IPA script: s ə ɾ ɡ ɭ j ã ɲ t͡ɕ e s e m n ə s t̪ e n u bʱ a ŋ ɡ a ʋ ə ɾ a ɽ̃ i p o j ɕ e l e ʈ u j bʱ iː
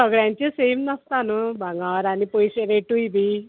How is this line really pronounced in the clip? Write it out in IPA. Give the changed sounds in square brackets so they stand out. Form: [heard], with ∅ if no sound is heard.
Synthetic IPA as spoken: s ə [∅] ɡ ɭ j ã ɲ t͡ɕ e s e m n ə s t̪ [a] n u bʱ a ŋ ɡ a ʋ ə ɾ a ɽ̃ i p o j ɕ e [ɾ] e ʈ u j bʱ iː